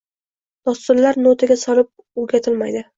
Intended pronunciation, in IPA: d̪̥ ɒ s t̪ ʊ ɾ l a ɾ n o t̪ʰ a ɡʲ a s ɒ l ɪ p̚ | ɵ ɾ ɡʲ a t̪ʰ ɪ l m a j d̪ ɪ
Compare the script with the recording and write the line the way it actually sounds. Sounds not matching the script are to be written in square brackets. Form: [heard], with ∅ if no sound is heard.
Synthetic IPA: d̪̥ ɒ s t̪ ʊ ɾ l a ɾ n o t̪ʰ a ɡʲ a s ɒ l ɪ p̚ | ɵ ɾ ɡʲ a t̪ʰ ɪ l m a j d̪ ɪ